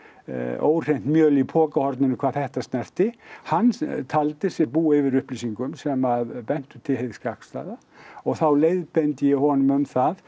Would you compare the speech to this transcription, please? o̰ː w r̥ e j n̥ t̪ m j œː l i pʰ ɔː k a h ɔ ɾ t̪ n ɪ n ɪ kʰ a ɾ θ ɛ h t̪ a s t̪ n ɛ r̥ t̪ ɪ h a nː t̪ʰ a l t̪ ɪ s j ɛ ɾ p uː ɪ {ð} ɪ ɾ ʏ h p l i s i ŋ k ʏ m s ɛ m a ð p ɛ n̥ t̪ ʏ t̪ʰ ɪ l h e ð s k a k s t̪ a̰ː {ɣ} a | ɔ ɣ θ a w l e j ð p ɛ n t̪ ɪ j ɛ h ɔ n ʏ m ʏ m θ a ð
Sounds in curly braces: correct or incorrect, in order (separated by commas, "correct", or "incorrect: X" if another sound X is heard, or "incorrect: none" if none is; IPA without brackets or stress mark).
incorrect: v, incorrect: ð